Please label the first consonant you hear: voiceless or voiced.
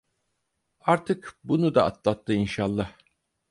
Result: voiced